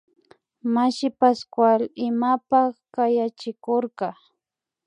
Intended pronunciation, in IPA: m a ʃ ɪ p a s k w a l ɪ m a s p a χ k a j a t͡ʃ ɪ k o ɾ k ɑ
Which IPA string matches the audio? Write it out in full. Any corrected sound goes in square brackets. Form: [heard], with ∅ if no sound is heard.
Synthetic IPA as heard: m a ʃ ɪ p a s k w a l ɪ m a [∅] p a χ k a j a t͡ʃ ɪ k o ɾ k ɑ